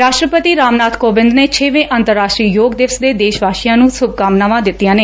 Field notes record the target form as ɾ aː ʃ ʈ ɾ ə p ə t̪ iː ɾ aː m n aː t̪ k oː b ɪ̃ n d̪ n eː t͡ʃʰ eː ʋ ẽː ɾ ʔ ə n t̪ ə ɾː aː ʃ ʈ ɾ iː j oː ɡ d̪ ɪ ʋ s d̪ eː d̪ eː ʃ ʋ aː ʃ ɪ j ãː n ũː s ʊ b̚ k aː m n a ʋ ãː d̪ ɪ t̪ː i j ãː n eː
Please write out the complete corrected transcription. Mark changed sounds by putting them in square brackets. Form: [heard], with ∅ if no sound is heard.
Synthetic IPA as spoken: ɾ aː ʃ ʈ ɾ ə p ə t̪ iː ɾ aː m n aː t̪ k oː b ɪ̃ n d̪ n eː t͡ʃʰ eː ʋ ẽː [∅] ʔ ə n t̪ ə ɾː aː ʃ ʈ ɾ iː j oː ɡ d̪ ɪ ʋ s d̪ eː d̪ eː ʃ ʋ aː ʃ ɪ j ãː n ũː s ʊ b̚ k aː m n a ʋ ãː d̪ ɪ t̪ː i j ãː n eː